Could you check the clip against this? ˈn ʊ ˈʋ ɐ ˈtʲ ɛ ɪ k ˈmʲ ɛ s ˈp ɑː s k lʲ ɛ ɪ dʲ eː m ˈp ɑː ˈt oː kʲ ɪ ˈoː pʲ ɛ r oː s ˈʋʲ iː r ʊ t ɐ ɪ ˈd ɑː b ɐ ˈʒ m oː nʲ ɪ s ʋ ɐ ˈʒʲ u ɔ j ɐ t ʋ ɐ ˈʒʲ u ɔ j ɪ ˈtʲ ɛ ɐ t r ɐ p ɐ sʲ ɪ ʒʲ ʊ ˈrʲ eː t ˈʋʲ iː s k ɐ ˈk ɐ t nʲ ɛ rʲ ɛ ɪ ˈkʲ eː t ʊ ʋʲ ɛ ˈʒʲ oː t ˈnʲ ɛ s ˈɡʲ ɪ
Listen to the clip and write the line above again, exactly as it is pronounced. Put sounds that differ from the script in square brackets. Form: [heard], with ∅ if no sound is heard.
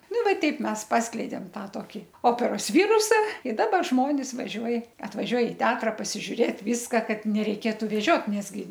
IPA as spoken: ˈn ʊ ˈʋ ɐ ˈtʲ ɛ ɪ [p] ˈmʲ ɛ s ˈp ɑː s k lʲ ɛ ɪ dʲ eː m [ˈt] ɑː ˈt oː kʲ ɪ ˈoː pʲ ɛ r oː s ˈʋʲ iː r ʊ [s] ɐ ɪ ˈd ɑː b ɐ ˈʒ m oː nʲ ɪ s ʋ ɐ ˈʒʲ u ɔ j ɐ t ʋ ɐ ˈʒʲ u ɔ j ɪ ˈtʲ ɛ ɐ t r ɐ p ɐ sʲ ɪ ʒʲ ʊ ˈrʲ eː t ˈʋʲ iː s k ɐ ˈk ɐ t nʲ ɛ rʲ ɛ ɪ ˈkʲ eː t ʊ ʋʲ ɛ ˈʒʲ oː t ˈnʲ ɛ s ˈɡʲ ɪ